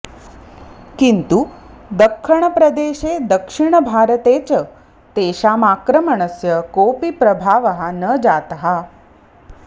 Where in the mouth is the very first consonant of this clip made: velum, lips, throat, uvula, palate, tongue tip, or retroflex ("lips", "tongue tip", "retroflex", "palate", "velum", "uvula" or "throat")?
velum